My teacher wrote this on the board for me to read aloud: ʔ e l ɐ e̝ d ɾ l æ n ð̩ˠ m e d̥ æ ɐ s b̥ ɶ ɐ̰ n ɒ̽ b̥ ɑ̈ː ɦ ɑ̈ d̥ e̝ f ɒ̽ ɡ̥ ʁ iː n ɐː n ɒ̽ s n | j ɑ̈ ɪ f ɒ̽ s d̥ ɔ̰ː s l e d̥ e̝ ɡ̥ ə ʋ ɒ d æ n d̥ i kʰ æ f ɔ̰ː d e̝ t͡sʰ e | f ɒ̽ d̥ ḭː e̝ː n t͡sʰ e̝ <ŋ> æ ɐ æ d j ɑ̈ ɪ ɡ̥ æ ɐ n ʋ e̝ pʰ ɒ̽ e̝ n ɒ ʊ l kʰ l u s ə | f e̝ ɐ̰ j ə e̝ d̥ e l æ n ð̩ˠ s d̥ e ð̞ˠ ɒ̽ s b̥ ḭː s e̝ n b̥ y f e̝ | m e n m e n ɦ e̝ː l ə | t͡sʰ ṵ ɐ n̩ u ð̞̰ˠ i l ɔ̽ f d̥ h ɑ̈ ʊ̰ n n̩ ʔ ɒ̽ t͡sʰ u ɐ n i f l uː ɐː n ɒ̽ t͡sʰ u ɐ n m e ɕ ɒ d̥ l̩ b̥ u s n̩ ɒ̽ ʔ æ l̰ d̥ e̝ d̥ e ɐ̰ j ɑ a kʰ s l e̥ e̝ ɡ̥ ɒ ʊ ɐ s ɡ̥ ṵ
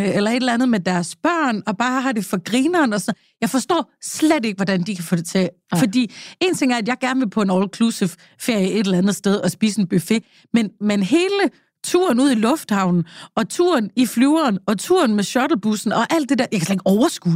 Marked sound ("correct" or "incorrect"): correct